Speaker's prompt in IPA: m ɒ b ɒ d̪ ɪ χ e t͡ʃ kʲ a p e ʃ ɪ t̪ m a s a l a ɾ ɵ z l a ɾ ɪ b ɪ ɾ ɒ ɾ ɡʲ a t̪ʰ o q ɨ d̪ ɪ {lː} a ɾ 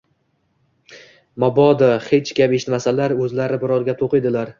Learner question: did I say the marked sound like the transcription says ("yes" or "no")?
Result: no